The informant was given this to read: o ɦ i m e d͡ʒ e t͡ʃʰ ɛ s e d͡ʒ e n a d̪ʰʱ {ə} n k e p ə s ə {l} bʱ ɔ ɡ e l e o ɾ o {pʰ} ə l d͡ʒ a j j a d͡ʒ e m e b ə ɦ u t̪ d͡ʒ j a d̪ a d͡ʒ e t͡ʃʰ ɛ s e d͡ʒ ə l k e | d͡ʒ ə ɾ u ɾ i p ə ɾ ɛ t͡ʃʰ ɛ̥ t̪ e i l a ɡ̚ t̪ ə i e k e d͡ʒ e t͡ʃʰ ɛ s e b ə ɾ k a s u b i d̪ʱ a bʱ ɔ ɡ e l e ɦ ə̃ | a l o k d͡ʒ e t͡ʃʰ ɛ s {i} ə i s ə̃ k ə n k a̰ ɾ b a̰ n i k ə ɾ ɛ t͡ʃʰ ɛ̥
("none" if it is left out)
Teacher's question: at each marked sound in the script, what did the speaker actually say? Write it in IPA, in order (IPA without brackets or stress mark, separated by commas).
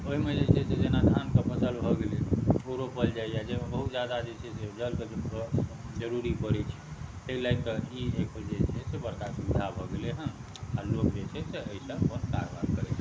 a, l, p, e